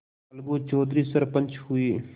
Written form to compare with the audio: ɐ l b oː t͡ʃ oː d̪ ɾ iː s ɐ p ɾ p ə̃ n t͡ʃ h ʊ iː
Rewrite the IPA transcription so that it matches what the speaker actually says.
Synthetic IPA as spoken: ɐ l ɡ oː t͡ʃ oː d̪ ɾ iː s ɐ ɾ p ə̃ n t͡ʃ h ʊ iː